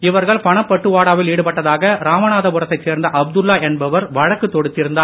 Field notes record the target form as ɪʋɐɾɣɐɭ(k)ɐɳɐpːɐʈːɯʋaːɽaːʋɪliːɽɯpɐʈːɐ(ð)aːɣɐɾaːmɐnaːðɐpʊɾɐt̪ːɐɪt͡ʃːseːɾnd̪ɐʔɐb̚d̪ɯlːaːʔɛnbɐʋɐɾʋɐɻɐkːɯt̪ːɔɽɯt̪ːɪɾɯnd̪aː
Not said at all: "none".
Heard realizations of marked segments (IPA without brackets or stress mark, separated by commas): p, ð